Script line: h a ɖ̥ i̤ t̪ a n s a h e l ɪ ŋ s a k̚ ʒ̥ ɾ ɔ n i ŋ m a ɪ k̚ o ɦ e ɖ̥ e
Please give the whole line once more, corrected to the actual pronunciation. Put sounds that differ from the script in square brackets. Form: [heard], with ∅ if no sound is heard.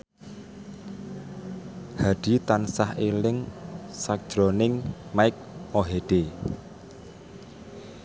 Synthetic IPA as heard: h a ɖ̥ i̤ t̪ a n s a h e l ɪ ŋ s a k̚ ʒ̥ ɾ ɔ n [ɪ] ŋ m a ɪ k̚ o ɦ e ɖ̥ e

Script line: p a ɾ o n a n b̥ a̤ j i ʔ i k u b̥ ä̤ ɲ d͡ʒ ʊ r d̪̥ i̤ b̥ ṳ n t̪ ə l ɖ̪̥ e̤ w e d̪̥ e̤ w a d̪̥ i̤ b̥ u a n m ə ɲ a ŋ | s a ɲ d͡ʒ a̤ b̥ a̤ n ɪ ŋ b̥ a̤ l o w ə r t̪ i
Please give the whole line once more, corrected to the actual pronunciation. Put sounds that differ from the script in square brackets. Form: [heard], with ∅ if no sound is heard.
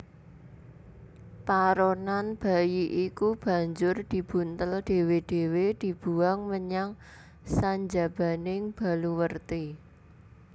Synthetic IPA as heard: p a ɾ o n a n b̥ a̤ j i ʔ i k u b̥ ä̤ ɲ d͡ʒ ʊ r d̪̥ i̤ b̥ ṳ n t̪ ə l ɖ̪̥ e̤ w e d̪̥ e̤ w [e] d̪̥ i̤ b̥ u a [ŋ] m ə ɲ a ŋ | s a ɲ d͡ʒ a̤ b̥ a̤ n ɪ ŋ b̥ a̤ l [u] w ə r t̪ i

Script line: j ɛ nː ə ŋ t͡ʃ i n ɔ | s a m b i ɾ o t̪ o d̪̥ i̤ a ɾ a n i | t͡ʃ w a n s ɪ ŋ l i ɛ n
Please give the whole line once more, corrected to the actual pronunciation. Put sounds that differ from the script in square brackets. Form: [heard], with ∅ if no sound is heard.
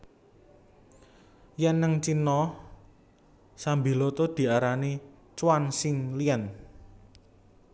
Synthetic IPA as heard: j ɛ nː ə ŋ t͡ʃ i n ɔ | s a m b i [l] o t̪ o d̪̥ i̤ a ɾ a n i | t͡ʃ w a n s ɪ ŋ l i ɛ n

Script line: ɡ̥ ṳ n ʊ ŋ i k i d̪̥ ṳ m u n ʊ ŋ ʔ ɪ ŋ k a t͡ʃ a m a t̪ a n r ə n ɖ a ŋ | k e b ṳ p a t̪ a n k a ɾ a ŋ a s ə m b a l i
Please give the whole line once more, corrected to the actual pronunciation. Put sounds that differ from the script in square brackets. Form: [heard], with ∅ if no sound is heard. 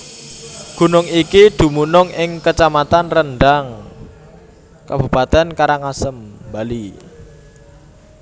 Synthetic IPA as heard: ɡ̥ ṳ n ʊ ŋ i k i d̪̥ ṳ m u n ʊ ŋ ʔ ɪ ŋ k [ə] t͡ʃ a m a t̪ a n r ə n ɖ a ŋ | k [a] b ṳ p a t̪ [ɛ] n k a ɾ a ŋ a s ə m b a l i

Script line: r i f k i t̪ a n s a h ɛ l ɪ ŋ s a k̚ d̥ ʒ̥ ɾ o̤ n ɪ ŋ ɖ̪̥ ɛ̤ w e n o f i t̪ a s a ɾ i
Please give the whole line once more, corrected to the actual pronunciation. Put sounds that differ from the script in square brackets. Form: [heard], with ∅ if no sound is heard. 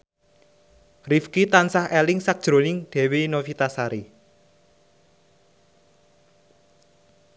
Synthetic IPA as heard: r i f k i t̪ a n s a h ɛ l ɪ ŋ s a k̚ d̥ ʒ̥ ɾ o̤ n ɪ ŋ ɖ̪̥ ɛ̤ w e n o f i t̪ a s a ɾ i

